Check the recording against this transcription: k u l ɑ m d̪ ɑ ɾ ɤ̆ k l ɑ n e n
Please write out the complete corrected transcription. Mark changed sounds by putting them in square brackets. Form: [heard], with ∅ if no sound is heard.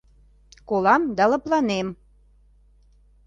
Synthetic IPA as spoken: k [o] l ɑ m d̪ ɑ [l] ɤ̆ [p] l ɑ n e [m]